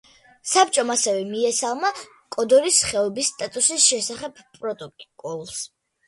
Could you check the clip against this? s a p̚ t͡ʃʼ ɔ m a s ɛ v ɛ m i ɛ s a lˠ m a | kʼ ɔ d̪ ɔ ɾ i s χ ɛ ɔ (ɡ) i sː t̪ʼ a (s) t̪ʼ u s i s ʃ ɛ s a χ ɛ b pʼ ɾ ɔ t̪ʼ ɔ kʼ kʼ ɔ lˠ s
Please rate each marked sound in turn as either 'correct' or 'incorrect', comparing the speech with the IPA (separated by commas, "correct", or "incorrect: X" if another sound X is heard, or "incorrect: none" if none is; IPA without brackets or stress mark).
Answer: incorrect: b, incorrect: none